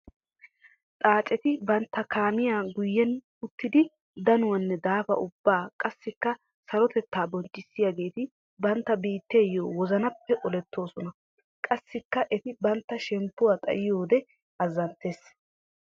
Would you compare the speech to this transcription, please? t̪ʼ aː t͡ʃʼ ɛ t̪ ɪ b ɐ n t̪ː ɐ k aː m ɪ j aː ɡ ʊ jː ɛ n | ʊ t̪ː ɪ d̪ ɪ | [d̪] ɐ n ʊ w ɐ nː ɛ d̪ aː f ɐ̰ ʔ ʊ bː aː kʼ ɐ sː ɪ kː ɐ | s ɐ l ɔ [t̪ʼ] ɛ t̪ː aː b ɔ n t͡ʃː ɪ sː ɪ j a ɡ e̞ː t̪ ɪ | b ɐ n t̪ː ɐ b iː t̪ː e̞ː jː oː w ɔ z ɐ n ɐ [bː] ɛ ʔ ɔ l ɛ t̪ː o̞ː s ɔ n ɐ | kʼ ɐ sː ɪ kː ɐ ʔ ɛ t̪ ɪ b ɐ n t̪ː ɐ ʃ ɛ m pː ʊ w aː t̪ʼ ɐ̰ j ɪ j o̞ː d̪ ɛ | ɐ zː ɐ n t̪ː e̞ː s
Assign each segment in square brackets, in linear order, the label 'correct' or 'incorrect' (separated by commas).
correct, incorrect, incorrect